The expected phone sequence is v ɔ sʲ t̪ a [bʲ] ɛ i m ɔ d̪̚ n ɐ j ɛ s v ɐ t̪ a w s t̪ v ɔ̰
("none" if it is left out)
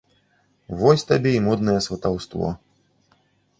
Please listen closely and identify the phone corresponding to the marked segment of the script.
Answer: bʲ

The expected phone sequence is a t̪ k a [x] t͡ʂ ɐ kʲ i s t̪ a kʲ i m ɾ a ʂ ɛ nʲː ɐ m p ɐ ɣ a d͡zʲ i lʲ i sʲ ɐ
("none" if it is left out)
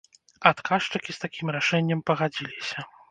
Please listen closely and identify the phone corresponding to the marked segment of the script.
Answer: ʂ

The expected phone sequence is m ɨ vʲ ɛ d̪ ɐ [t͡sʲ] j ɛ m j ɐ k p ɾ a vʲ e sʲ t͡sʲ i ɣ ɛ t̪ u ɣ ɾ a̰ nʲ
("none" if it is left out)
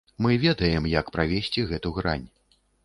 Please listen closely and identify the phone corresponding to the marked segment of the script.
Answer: none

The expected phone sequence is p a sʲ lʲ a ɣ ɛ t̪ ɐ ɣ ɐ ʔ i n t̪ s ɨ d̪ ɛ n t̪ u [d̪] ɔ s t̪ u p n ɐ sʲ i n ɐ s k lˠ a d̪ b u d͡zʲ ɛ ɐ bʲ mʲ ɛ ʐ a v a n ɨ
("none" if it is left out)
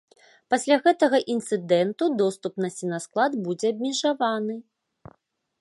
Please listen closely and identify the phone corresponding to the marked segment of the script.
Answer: d̪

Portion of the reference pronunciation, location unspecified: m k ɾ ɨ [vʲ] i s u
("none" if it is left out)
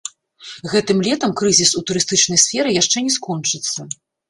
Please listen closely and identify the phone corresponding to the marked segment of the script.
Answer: zʲ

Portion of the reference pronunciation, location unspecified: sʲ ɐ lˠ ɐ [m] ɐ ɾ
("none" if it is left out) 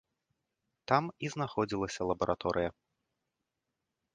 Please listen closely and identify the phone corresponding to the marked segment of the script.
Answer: b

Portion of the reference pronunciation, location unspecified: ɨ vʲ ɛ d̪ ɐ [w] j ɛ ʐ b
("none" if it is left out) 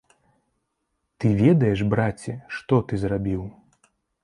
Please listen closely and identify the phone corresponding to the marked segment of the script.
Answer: none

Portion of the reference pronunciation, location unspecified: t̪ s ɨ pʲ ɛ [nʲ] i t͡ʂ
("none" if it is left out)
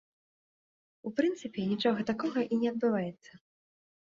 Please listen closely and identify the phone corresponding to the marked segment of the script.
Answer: nʲ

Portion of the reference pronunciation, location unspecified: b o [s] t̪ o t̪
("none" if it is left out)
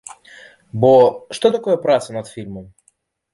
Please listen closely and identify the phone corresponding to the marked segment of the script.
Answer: ʂ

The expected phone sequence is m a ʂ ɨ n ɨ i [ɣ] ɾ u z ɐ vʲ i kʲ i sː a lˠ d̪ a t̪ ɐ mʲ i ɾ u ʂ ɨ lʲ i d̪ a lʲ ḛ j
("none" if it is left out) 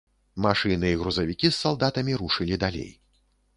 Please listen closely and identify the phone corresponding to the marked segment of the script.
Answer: ɣ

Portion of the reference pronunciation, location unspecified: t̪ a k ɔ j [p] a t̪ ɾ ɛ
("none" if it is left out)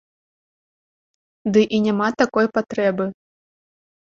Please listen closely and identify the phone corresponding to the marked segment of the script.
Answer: p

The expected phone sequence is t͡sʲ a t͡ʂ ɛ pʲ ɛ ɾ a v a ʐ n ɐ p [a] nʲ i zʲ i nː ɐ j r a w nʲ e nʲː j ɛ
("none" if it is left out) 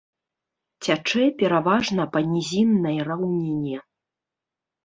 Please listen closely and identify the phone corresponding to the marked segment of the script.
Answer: ɐ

